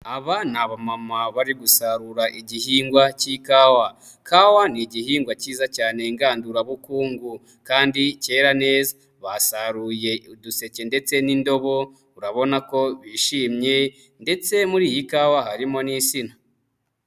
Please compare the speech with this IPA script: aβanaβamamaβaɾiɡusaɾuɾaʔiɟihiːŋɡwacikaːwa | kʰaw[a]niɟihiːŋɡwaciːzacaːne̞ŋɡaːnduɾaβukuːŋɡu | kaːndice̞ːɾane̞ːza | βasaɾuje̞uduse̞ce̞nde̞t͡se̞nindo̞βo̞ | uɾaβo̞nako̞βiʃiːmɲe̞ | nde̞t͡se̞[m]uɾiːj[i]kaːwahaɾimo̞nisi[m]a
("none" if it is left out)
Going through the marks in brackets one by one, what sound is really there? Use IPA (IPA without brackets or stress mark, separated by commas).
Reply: a, m, i, n